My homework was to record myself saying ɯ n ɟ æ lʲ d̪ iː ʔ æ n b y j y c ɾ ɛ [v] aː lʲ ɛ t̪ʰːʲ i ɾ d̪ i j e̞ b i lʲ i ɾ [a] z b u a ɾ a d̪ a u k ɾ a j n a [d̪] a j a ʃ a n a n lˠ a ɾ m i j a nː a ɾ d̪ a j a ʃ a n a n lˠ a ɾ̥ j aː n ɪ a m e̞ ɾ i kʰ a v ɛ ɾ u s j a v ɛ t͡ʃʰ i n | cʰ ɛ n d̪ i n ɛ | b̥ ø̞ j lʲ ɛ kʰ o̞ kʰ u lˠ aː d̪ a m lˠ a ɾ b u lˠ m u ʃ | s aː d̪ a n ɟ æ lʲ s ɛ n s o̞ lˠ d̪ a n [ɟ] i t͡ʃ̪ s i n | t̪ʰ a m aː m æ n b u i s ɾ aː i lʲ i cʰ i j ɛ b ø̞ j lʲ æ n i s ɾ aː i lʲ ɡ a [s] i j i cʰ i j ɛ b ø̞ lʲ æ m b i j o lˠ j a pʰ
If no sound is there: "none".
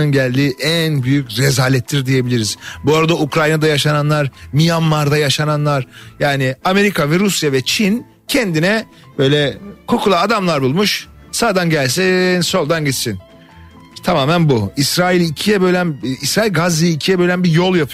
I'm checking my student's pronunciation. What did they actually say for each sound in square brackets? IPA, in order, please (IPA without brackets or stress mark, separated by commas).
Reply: z, i, d̪, ɟ, z